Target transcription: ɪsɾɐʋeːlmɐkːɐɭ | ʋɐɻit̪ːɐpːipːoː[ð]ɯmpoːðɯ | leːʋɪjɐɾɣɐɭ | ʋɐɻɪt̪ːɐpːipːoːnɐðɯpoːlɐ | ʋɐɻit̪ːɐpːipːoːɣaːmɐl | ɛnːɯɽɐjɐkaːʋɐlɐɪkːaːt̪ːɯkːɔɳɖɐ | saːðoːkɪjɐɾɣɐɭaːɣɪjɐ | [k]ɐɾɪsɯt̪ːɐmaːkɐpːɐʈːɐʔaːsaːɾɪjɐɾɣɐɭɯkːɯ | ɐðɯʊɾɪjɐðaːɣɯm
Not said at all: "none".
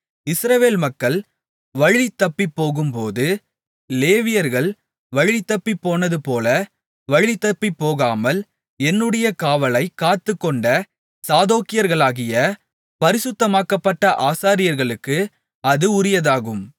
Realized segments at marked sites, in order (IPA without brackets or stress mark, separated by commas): ɣ, p